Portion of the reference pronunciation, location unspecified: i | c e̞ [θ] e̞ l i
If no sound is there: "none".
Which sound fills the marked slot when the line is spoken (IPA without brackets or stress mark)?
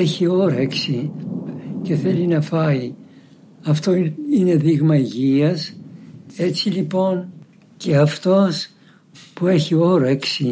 θ